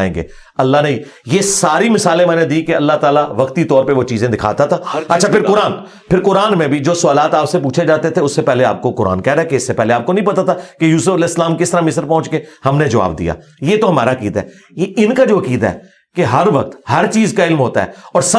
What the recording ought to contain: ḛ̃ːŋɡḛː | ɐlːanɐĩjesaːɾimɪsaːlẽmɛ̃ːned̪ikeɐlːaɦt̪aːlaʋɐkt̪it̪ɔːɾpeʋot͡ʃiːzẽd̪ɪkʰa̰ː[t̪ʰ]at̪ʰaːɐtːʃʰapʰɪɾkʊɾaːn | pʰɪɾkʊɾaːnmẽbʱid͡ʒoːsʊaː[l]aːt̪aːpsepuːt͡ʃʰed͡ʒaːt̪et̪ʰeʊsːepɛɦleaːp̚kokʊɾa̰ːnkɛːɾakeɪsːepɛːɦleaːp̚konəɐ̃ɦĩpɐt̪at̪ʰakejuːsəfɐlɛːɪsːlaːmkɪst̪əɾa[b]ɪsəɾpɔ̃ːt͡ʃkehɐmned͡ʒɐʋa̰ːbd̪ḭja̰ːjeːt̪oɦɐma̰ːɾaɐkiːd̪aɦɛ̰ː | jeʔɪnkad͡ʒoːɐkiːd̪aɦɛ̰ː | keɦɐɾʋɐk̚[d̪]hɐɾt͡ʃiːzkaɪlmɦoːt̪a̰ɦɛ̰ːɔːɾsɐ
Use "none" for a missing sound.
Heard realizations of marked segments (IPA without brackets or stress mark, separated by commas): t̪, l, m, t̪